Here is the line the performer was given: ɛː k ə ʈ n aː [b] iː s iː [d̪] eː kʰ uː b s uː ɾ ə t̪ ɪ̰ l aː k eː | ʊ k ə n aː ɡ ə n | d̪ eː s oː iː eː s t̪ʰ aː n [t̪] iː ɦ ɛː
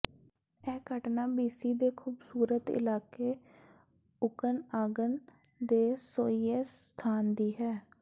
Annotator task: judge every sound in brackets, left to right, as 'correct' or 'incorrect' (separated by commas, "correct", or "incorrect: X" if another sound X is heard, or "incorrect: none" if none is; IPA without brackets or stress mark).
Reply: correct, correct, incorrect: d̪